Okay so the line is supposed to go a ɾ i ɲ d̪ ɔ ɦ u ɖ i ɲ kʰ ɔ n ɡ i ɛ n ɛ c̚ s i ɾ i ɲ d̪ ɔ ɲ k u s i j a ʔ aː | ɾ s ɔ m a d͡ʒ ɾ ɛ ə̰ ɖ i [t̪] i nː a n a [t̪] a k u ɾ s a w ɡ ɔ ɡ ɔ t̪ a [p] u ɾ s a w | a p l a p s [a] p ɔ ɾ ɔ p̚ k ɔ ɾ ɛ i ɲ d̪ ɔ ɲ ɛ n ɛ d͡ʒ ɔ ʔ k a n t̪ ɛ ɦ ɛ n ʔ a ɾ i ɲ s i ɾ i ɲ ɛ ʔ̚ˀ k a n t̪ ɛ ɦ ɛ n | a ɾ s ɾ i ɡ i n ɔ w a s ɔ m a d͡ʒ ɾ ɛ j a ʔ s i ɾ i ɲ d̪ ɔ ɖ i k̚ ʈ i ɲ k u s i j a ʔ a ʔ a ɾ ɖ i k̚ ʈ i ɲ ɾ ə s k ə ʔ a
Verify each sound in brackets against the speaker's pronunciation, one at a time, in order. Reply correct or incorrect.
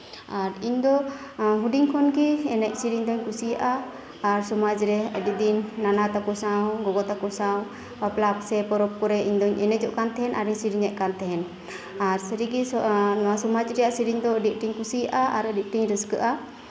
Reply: incorrect, correct, incorrect, incorrect

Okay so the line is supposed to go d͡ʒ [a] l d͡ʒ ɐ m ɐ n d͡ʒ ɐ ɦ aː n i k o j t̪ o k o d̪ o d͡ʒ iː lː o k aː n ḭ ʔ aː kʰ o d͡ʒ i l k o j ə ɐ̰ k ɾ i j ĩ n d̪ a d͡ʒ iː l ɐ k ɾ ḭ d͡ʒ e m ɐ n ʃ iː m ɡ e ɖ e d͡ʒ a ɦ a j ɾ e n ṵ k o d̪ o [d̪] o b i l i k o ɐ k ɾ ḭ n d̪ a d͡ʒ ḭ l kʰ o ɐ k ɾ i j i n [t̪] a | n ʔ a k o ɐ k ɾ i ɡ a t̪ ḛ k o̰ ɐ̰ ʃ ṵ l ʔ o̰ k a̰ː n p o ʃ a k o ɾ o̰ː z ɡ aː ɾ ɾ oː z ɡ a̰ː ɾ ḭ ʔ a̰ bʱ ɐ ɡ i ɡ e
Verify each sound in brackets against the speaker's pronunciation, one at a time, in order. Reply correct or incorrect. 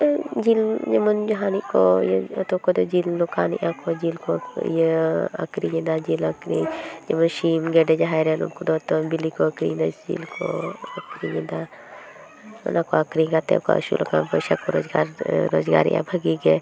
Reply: incorrect, incorrect, incorrect

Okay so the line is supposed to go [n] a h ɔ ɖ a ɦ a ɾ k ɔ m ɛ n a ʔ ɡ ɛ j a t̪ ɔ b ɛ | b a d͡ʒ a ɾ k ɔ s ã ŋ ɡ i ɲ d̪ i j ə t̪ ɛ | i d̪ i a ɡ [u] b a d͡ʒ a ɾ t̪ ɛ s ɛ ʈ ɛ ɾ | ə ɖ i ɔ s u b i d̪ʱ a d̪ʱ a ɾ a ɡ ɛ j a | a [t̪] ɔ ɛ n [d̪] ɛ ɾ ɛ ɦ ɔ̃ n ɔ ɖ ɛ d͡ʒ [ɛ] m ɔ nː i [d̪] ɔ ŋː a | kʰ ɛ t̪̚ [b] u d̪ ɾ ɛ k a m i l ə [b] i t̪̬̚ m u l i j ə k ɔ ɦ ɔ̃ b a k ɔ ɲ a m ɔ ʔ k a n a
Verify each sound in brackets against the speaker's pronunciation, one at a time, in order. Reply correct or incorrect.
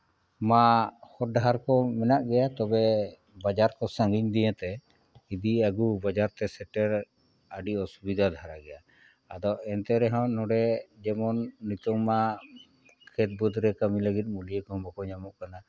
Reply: incorrect, correct, incorrect, incorrect, correct, incorrect, correct, incorrect

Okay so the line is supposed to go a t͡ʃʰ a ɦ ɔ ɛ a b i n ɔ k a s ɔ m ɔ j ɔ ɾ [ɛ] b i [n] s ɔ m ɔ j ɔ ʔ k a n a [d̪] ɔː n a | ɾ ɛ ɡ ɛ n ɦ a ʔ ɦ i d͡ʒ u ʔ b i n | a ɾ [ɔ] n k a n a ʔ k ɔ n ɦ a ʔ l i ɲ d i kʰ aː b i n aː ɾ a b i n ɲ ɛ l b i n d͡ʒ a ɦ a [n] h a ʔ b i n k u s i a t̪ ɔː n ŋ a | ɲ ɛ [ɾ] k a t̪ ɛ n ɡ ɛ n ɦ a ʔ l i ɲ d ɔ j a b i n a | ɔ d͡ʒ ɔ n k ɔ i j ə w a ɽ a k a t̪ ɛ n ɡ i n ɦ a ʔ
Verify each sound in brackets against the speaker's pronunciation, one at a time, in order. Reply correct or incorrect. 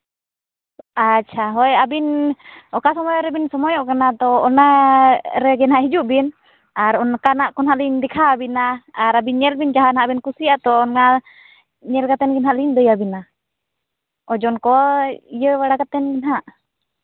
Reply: correct, correct, incorrect, correct, correct, incorrect

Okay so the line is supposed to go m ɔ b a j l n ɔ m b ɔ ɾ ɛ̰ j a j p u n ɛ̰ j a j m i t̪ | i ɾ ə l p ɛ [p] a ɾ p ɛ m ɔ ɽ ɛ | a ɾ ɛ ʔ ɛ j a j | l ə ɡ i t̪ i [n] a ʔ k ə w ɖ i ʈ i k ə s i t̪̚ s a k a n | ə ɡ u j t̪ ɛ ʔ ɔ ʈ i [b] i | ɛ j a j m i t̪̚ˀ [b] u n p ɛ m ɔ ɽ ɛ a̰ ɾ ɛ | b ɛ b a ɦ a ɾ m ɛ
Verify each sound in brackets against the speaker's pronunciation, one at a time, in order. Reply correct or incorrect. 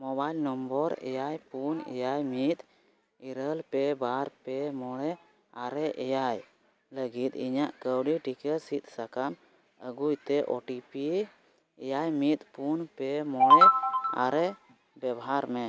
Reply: incorrect, incorrect, incorrect, incorrect

